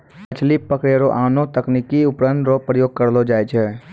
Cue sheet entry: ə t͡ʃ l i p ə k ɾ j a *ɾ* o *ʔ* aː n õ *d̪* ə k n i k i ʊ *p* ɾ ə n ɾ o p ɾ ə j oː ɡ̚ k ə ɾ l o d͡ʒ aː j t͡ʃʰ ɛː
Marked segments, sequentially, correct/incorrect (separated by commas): correct, correct, incorrect, correct